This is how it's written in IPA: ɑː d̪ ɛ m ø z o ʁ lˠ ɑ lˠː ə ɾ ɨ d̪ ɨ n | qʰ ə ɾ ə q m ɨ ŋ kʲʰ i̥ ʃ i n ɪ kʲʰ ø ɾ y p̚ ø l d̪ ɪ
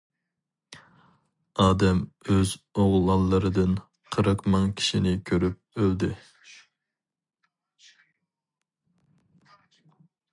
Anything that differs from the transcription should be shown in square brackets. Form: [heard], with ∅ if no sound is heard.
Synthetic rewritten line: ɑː d̪ ɛ m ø z o ʁ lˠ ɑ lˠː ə ɾ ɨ d̪ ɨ n | qʰ ə ɾ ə q m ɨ ŋ kʲʰ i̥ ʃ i n ɪ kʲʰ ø ɾ y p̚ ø l d̪ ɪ